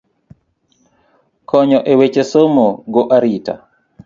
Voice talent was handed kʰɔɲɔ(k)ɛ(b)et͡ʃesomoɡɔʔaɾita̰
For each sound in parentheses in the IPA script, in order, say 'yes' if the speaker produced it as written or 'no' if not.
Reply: no, no

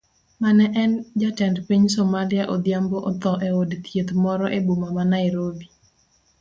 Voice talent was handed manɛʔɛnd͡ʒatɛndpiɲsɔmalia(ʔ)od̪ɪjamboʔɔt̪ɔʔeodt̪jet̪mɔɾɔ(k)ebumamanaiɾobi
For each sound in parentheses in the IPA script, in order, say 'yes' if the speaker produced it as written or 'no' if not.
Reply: yes, no

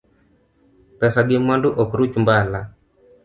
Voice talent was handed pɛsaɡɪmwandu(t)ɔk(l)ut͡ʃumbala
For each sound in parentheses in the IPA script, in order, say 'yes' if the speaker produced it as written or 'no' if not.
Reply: no, no

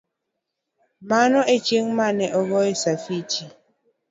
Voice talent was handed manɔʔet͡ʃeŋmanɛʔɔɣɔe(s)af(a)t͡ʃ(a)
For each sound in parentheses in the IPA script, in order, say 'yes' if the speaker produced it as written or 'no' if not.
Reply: yes, no, no

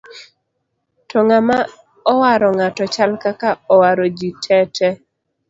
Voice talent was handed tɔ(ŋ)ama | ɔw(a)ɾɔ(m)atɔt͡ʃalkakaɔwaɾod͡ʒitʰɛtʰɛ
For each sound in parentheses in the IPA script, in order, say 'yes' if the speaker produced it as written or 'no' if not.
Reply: yes, yes, no

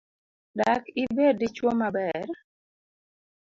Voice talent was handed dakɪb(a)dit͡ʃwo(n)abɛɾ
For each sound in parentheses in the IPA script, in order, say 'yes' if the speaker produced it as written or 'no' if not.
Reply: no, no

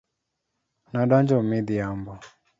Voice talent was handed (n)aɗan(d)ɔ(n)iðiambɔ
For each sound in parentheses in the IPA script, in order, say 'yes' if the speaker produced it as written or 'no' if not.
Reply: yes, no, no

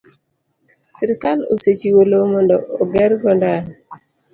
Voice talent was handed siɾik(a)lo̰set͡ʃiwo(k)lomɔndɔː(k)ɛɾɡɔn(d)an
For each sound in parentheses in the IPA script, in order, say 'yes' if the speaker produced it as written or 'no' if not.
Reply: yes, no, no, yes

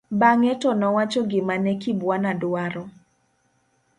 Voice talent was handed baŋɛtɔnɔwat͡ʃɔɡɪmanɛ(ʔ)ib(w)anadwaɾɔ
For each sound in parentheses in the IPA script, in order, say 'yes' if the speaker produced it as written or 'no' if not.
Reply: no, yes

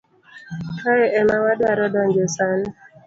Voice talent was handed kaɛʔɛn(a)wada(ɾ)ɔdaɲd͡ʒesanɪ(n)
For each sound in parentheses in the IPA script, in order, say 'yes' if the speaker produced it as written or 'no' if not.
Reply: yes, yes, no

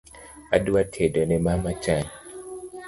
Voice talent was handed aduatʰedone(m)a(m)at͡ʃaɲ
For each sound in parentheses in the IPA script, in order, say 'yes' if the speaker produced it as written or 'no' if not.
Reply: yes, yes

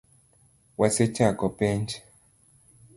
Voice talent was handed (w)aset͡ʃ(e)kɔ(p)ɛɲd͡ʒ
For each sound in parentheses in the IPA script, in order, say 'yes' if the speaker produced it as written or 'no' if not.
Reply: yes, no, yes

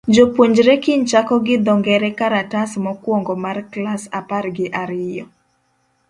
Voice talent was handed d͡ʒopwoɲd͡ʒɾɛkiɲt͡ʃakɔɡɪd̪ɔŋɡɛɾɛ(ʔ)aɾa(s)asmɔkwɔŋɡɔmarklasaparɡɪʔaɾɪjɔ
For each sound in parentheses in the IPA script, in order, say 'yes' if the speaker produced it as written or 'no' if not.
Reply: no, no

